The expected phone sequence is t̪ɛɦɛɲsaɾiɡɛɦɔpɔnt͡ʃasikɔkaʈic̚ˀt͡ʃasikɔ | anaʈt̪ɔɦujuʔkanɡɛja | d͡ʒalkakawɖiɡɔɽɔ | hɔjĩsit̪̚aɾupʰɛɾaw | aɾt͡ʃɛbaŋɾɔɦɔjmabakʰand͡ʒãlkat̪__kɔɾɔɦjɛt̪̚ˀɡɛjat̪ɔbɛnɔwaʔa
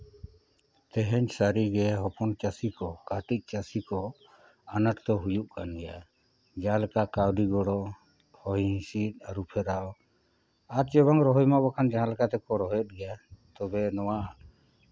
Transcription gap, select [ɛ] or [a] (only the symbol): ɛ